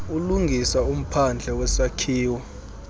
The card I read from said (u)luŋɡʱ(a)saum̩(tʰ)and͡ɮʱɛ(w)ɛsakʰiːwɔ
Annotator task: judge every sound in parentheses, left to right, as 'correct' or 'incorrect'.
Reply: correct, incorrect: i, incorrect: pʰ, correct

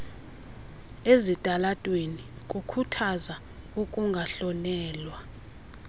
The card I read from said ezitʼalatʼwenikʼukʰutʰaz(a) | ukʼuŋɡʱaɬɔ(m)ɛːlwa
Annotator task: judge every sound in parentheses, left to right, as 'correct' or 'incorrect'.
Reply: correct, incorrect: n

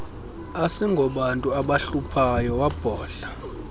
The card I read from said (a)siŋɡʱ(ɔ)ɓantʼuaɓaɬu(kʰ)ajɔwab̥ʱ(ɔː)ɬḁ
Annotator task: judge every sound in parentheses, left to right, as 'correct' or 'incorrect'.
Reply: correct, correct, incorrect: pʰ, correct

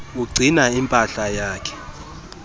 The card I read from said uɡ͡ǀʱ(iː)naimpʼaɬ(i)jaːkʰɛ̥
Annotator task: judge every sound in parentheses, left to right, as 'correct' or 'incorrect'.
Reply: incorrect: i, incorrect: a

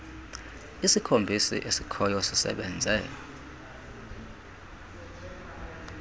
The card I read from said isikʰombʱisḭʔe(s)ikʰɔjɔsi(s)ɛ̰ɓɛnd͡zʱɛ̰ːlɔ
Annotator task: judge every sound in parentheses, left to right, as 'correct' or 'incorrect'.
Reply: correct, correct

